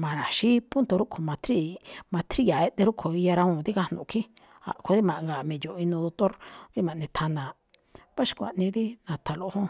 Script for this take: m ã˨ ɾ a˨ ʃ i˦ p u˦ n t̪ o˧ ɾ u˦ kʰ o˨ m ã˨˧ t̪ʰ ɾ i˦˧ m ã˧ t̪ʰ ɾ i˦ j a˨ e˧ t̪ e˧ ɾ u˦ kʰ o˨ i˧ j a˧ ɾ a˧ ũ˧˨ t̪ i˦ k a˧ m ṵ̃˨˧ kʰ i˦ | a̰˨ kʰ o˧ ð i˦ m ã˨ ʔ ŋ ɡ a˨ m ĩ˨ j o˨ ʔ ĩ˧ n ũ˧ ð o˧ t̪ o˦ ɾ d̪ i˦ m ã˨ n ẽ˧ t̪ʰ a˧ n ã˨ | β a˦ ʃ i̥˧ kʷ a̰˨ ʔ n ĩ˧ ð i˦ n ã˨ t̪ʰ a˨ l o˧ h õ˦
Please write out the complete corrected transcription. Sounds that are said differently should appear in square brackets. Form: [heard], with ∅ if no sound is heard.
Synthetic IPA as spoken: m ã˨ ɾ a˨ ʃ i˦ p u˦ n t̪ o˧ ɾ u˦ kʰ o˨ m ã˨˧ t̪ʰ ɾ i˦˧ m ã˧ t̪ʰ ɾ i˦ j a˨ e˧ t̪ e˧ ɾ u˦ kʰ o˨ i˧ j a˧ ɾ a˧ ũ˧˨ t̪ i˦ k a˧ [n] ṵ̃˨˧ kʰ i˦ | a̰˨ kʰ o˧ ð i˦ m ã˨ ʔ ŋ ɡ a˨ m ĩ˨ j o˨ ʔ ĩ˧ n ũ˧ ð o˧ t̪ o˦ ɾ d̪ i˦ m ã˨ n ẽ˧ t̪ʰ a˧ n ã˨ | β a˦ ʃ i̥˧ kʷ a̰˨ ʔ n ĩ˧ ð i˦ n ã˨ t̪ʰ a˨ l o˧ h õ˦